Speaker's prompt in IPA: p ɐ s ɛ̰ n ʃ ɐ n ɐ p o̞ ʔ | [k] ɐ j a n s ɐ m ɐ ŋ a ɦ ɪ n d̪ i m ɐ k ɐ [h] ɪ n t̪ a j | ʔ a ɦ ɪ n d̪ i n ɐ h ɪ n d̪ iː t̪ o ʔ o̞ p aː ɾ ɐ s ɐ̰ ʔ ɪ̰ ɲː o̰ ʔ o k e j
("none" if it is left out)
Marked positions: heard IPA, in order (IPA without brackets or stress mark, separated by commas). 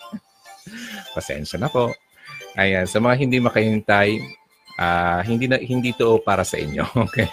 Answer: ʔ, h